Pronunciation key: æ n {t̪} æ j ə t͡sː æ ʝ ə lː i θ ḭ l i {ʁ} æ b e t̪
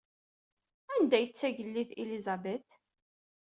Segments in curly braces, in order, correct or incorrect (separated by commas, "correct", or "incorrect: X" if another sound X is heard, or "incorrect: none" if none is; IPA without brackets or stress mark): incorrect: d̪, incorrect: z